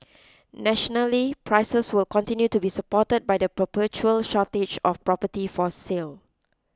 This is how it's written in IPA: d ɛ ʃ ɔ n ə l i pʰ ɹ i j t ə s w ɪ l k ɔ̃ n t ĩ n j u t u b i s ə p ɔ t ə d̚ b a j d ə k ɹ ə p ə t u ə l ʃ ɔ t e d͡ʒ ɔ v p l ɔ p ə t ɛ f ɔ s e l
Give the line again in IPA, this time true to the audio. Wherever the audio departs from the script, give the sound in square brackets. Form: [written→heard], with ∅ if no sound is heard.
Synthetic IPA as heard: [d→n] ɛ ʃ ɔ n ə l i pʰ ɹ [i→a] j [t→s] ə s w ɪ l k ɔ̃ n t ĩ n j u t u b i s ə p ɔ t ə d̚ b a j d ə [k→p] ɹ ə p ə [t→t͡ʃ] u ə l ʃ ɔ t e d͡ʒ ɔ [v→f] p [l→ɹ] ɔ p ə t [ɛ→i] f ɔ s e l